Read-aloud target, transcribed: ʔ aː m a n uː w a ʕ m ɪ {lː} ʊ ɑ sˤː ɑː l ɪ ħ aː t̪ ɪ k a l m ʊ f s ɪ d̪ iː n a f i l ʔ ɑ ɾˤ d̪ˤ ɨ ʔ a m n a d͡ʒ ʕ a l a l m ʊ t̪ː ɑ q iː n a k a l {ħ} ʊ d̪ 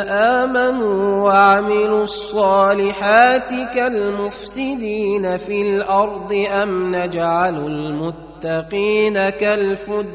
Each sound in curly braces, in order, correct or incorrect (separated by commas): incorrect, incorrect